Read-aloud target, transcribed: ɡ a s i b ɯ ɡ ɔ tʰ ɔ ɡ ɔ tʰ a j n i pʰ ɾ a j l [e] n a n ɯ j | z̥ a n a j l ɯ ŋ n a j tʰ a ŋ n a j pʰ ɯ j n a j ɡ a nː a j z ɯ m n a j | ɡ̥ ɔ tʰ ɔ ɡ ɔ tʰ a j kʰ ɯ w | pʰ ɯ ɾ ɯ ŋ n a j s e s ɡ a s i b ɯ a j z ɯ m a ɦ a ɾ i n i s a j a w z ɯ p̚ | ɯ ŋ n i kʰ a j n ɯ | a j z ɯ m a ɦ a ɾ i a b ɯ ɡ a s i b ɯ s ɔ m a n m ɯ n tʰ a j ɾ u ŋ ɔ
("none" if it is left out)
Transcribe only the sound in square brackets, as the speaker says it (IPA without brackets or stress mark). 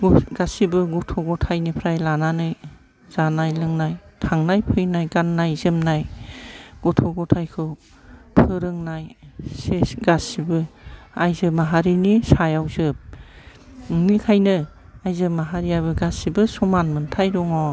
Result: a